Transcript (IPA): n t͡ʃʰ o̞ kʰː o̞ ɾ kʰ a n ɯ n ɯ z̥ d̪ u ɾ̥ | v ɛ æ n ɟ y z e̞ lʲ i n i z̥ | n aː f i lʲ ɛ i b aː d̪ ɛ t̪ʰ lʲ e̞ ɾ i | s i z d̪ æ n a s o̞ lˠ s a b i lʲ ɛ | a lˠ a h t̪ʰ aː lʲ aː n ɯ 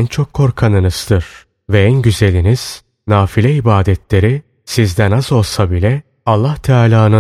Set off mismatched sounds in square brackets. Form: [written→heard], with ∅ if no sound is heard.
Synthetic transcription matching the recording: n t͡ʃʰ o̞ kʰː o̞ ɾ kʰ a n ɯ n ɯ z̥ d̪ [u→ɯ] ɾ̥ | v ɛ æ n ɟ y z e̞ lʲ i n i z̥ | n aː f i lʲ ɛ i b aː d̪ ɛ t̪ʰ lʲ e̞ ɾ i | s i z d̪ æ n a [s→z] o̞ lˠ s a b i lʲ ɛ | a [lˠ→lˠː] a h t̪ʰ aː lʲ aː n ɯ